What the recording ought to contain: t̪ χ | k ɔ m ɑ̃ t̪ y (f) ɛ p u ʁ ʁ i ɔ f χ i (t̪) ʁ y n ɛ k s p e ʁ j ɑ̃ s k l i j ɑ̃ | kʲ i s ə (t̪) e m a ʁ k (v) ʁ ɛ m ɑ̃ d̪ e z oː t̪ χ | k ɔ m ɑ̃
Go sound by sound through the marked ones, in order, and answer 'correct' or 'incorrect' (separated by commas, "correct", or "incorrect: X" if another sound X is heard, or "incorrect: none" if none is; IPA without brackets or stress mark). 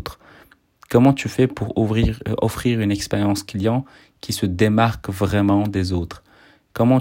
correct, incorrect: none, incorrect: d̪, correct